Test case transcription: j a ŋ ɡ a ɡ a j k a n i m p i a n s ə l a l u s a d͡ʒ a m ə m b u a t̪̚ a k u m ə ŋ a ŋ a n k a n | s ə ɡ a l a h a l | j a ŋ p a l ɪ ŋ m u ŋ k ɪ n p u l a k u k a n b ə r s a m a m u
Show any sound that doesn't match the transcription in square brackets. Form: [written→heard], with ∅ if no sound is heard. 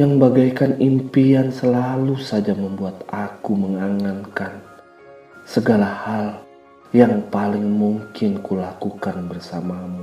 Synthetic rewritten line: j a ŋ [ɡ→b] a ɡ a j k a n i m p i a n s ə l a l u s a d͡ʒ a m ə m b u a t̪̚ a k u m ə ŋ a ŋ a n k a n | s ə ɡ a l a h a l | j a ŋ p a l ɪ ŋ m u ŋ k ɪ n [p→k] u l a k u k a n b ə r s a m a m u